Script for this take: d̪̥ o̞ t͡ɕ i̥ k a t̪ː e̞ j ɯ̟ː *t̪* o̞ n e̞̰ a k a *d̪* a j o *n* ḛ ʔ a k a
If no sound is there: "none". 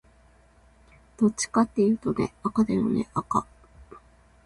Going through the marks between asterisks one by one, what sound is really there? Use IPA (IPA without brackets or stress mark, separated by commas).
t̪, d̪, n